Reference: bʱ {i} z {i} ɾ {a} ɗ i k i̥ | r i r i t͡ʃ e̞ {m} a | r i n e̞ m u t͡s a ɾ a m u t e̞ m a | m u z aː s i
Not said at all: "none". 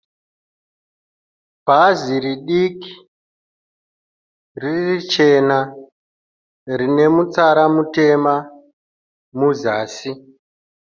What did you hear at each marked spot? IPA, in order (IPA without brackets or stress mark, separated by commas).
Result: a, i, i, n